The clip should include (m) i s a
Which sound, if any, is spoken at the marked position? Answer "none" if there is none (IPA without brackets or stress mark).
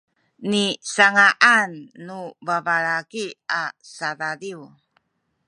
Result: n